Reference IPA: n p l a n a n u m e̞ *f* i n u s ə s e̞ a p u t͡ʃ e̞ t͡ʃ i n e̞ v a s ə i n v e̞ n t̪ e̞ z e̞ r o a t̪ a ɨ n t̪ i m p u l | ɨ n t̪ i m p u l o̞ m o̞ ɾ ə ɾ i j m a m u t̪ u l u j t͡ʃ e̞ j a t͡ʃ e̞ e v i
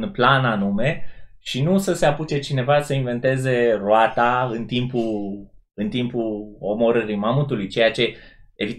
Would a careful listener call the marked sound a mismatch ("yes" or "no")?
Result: yes